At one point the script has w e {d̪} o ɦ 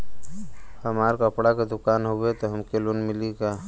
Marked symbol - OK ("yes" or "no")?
no